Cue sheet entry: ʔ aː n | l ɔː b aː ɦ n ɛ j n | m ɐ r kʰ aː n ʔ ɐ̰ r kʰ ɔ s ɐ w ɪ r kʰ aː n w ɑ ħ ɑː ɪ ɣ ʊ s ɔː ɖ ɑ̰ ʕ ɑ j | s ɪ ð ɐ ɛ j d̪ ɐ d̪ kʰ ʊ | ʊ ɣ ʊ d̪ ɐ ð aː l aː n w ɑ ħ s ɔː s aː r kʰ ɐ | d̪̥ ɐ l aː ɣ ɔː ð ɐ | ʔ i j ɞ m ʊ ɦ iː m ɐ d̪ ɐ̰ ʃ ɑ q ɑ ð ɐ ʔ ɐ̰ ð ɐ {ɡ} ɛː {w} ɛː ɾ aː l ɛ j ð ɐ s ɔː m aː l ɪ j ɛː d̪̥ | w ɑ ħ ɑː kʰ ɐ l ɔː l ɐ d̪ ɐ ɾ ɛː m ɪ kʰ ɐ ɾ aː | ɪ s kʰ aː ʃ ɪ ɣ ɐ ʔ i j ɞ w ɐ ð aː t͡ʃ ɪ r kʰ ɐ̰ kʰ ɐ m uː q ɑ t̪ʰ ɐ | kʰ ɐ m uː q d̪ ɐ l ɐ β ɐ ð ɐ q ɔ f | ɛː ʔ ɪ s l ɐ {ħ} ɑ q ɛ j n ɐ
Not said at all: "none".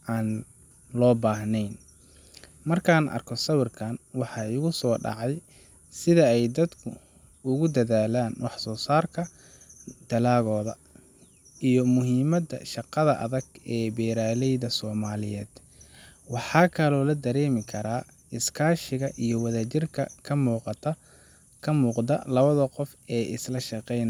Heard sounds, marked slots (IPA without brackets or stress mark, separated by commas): ɡ, b, ʃ